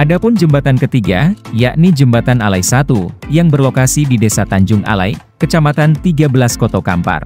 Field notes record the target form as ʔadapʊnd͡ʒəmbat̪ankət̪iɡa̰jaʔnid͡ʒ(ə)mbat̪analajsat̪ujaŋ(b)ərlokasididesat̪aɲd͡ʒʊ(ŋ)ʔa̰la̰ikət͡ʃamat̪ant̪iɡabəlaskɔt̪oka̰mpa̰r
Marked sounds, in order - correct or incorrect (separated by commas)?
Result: correct, correct, correct